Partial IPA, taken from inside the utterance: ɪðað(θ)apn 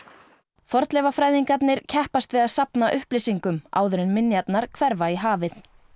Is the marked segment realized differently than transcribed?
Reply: yes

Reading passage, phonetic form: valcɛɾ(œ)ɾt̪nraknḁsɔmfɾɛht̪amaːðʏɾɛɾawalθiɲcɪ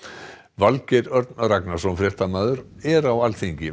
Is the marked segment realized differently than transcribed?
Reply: no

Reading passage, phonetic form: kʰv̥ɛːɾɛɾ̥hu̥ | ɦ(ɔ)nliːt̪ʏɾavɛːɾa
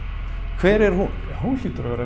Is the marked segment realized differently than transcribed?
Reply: yes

